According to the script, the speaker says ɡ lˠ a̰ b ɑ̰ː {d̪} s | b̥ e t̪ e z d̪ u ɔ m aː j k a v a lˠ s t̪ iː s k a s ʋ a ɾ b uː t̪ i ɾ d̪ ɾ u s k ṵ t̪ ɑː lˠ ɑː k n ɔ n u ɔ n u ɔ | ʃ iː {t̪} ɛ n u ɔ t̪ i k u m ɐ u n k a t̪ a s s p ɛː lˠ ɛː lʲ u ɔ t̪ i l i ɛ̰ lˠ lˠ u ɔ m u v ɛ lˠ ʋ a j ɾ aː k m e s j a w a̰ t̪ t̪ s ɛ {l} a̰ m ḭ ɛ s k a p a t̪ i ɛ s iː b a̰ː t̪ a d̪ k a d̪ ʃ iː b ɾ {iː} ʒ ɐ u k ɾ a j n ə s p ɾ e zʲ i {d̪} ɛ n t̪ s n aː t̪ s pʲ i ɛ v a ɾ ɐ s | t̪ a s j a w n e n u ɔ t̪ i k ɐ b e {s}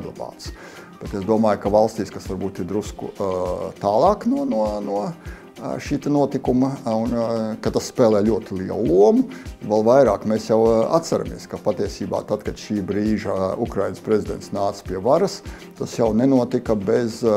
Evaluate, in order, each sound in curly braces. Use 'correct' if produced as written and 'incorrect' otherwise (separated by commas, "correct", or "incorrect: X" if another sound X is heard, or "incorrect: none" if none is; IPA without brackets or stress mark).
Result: incorrect: t̪, correct, incorrect: ɾ, correct, correct, incorrect: z